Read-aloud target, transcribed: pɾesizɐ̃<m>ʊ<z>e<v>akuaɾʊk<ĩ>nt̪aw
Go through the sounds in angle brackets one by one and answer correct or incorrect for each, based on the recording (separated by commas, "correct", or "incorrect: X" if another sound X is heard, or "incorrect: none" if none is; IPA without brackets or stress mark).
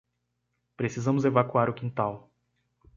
correct, correct, correct, correct